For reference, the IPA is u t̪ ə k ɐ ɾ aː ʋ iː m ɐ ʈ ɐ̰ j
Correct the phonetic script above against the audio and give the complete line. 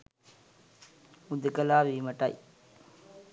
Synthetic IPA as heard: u d̪ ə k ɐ l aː ʋ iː m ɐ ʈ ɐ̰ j